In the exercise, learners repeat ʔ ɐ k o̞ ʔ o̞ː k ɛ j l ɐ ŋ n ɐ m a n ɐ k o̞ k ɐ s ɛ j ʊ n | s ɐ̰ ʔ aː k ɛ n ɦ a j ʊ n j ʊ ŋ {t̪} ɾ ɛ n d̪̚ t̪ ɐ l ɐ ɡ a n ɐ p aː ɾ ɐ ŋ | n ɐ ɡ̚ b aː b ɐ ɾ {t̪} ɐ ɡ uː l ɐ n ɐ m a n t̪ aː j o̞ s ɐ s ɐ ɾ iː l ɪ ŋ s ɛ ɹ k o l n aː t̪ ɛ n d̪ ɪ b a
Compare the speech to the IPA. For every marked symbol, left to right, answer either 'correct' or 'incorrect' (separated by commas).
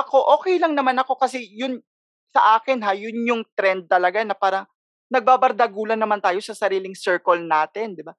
correct, incorrect